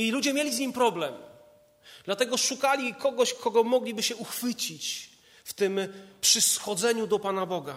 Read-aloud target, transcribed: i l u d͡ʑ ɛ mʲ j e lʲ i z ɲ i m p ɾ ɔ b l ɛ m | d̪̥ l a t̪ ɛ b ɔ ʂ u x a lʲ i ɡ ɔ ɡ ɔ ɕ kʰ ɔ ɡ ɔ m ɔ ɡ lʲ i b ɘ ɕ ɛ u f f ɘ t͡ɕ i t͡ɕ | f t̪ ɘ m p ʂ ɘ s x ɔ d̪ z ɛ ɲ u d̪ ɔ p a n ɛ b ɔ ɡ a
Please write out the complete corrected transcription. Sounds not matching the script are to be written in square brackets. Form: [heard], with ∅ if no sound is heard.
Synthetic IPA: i l u d͡ʑ ɛ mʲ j e lʲ i z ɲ i m p ɾ ɔ b l ɛ m | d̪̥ l a t̪ ɛ [ɡ] ɔ ʂ u [k] a lʲ i [k] ɔ ɡ ɔ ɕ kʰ ɔ ɡ ɔ m ɔ ɡ lʲ i b ɘ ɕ ɛ u [x] f ɘ t͡ɕ i t͡ɕ | f t̪ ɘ m p ʂ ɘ s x ɔ d̪ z ɛ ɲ u d̪ ɔ p a n [a] b ɔ ɡ a